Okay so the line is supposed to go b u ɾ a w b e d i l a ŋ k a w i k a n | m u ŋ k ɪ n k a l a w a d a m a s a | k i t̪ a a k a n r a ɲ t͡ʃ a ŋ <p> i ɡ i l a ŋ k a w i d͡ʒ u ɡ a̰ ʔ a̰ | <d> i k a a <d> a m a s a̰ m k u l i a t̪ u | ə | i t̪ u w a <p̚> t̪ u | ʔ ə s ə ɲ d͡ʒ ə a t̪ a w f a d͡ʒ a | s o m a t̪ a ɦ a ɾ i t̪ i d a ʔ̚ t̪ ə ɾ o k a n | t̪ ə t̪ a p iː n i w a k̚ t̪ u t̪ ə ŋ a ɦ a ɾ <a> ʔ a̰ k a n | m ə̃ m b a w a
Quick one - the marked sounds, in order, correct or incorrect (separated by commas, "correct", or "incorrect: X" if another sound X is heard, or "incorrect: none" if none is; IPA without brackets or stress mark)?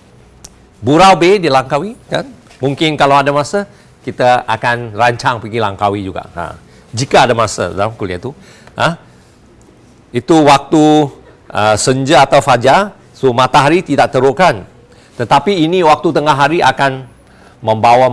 correct, incorrect: d͡ʒ, correct, incorrect: k̚, incorrect: i